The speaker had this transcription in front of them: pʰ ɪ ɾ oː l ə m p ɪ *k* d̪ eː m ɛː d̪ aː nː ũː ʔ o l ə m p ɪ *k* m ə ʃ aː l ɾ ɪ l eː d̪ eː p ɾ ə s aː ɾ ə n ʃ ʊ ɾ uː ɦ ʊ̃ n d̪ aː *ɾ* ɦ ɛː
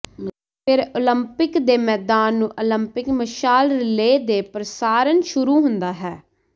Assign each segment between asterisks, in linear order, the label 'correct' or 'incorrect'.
correct, correct, incorrect

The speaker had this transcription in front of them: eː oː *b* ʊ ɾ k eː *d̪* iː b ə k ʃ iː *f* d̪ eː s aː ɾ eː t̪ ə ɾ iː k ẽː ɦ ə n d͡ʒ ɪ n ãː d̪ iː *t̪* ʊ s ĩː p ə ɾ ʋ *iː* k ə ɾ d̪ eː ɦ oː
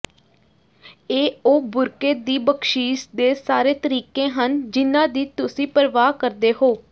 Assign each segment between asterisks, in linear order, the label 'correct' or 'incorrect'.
correct, correct, incorrect, correct, incorrect

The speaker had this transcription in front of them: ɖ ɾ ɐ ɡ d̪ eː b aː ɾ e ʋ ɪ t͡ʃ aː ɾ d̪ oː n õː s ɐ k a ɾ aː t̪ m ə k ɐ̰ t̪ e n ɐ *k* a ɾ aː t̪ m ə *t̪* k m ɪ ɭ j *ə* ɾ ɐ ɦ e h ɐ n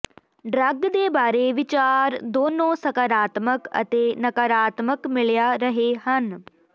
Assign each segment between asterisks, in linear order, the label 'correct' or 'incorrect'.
correct, incorrect, incorrect

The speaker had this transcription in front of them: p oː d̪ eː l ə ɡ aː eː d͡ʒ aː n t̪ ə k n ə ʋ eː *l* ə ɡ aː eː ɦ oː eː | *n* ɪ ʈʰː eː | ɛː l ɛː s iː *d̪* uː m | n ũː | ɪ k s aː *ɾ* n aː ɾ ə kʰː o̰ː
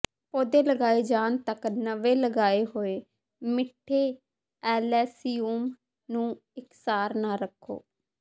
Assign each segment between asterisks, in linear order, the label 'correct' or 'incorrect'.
correct, incorrect, incorrect, correct

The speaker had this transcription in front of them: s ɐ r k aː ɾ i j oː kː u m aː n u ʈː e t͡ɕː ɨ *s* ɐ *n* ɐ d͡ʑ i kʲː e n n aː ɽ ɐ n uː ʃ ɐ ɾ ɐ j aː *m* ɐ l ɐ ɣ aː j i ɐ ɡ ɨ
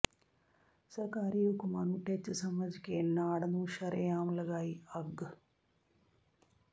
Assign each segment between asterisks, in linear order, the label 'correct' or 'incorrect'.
correct, incorrect, correct

